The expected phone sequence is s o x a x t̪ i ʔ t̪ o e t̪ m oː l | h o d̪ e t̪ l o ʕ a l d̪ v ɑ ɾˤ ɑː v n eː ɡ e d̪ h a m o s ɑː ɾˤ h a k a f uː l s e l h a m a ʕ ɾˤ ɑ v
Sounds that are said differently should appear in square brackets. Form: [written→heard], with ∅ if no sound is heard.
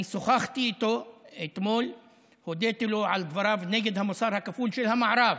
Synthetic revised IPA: s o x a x t̪ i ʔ t̪ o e t̪ m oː l | h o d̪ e t̪ l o ʕ a l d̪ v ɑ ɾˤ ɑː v n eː ɡ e d̪ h a m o s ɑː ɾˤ h a k a f uː l [s→ʃ] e l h a m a ʕ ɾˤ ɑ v

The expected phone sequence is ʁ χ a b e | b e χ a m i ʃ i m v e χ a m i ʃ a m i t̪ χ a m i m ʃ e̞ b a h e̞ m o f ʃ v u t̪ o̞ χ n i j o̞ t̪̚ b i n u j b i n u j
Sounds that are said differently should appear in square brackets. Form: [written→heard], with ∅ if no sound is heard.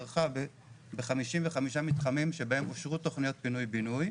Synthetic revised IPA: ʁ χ a b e | b e χ a m i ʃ i m v e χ a m i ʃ a m i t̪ χ a m i m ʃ e̞ b a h e̞ m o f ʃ [v→ʁ] u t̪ o̞ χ n i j o̞ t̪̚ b i n u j b i n u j

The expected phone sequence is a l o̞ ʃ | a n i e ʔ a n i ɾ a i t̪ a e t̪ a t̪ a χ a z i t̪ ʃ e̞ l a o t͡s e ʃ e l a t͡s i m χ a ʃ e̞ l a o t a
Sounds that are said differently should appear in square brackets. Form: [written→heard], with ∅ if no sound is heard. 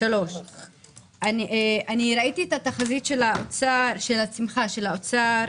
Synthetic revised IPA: a l o̞ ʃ | a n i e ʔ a n i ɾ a i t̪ [a→i] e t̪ a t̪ a χ a z i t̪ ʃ e̞ l a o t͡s [e→a] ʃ e l a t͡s i m χ a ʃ e̞ l a o [t→t͡s] a

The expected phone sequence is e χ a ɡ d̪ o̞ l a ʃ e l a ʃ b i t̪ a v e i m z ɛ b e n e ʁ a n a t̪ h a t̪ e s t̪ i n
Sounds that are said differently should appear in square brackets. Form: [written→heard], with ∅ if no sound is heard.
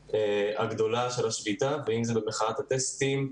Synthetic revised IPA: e [χ→∅] a ɡ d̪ o̞ l a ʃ e l a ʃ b i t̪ a v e i m z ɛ b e [n→m] e [ʁ→χ] a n a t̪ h a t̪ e s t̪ i [n→m]

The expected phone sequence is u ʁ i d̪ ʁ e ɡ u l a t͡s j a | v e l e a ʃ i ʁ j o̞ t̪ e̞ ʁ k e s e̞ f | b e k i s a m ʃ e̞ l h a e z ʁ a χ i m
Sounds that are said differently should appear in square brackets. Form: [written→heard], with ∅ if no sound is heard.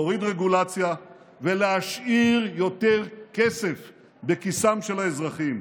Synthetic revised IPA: [u→o] ʁ i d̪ ʁ e ɡ u l a t͡s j a | v e l e a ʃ i ʁ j o̞ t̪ e̞ ʁ k e s e̞ f | b e k i s a m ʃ e̞ l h a e z ʁ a χ i m

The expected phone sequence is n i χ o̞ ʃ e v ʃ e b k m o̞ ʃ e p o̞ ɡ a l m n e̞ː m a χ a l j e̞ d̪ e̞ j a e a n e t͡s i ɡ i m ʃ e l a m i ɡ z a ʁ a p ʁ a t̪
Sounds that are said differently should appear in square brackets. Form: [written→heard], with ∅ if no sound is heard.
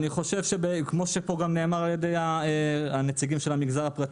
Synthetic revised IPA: n i χ o̞ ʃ e v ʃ e b k m o̞ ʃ e p o̞ ɡ a [l→∅] m n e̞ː m a [χ→ʁ] a l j e̞ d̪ e̞ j a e a n e t͡s i ɡ i m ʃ e l a m i ɡ z a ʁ a p ʁ a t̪

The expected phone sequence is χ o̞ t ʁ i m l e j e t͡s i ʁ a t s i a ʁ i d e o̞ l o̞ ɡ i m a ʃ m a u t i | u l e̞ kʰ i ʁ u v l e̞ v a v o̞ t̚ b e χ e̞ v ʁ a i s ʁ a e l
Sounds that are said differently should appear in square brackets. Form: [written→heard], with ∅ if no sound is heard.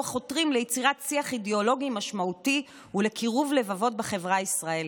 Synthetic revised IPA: χ o̞ t ʁ i m l e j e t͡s i ʁ a t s i a [ʁ→χ] i d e o̞ l o̞ ɡ i m a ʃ m a u t i | u l e̞ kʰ i ʁ u v l e̞ v a v o̞ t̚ b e χ e̞ v ʁ a i s ʁ a e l

